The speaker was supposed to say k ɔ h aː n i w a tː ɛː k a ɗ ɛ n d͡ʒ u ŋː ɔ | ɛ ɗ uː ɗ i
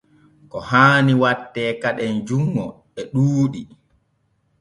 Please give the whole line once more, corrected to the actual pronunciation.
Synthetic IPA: k ɔ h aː n i w a tː ɛː k a ɗ ɛ n d͡ʒ u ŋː ɔ | ɛ ɗ uː ɗ i